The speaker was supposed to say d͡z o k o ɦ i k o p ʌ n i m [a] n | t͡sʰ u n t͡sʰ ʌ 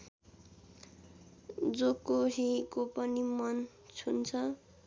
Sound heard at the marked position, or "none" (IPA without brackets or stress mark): ʌ